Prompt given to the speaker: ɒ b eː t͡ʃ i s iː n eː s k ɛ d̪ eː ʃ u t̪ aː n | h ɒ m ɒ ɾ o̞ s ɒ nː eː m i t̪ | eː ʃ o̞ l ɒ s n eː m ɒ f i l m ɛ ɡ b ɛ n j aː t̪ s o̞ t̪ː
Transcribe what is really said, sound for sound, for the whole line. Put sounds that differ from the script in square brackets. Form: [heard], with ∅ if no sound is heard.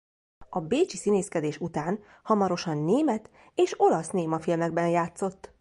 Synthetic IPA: ɒ b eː t͡ʃ i s [i] n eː s k ɛ d̪ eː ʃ u t̪ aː n | h ɒ m ɒ ɾ o̞ [ʃ] ɒ nː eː m [ɛ] t̪ | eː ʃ o̞ l ɒ s n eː m ɒ f i l m ɛ ɡ b ɛ n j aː t̪ s o̞ t̪ː